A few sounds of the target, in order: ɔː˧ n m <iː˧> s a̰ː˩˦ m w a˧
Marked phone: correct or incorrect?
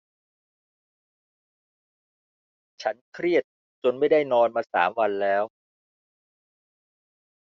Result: incorrect: aː˧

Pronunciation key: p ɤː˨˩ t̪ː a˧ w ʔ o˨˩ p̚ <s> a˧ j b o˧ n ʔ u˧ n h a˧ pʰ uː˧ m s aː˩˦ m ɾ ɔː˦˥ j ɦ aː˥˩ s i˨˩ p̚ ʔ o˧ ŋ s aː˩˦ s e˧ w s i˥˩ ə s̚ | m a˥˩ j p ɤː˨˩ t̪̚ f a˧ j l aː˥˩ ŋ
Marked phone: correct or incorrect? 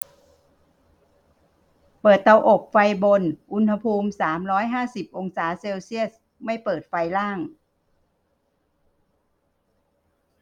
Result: incorrect: f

